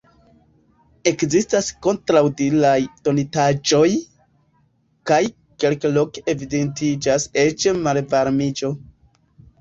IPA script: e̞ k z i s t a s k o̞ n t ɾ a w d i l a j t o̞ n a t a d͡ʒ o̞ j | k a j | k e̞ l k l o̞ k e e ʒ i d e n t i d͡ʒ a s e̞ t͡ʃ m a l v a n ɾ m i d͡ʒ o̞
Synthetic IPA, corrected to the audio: e̞ k z i s t a s k o̞ n t ɾ a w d i l a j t o̞ n i t a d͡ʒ o̞ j | k a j | k e̞ l k l o̞ k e e v i d e n t i d͡ʒ a s e̞ t͡ʃ m a l v a ɾ m i d͡ʒ o̞